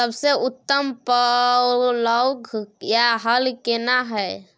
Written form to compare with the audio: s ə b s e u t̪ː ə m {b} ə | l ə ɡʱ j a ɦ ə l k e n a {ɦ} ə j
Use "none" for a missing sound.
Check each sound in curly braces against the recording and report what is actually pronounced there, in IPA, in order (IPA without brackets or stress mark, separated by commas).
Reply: p, ɦ